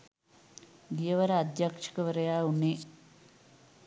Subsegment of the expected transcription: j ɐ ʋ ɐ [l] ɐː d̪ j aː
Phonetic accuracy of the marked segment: incorrect: ɾ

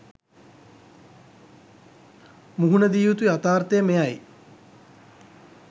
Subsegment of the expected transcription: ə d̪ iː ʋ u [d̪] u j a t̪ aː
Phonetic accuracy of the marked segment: incorrect: t̪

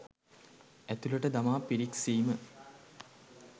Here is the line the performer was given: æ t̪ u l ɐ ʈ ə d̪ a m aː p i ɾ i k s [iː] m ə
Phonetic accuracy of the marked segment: correct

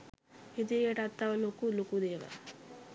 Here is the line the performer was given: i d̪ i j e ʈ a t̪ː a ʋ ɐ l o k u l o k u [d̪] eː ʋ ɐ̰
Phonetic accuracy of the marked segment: correct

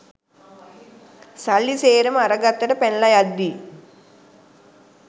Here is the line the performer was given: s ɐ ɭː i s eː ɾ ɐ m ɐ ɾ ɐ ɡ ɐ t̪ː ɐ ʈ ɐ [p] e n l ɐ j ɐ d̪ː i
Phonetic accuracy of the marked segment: correct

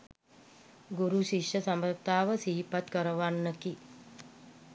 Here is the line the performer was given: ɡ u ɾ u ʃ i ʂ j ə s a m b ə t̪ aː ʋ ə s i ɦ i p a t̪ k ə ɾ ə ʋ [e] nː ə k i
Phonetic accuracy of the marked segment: incorrect: a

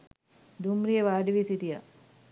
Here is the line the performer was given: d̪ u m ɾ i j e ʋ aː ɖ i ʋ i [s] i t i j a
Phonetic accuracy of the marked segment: correct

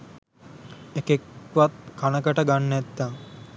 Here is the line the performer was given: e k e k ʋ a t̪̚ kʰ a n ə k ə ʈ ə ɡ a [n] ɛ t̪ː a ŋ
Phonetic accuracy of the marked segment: incorrect: nː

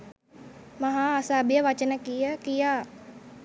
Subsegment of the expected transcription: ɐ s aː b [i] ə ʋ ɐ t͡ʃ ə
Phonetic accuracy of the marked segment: incorrect: j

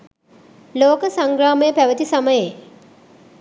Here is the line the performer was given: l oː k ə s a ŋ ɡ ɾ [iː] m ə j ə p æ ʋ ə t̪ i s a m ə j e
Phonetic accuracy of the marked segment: incorrect: aː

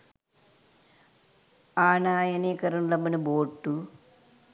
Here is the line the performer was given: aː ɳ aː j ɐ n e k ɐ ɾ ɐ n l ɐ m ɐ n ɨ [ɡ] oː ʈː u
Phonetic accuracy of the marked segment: incorrect: b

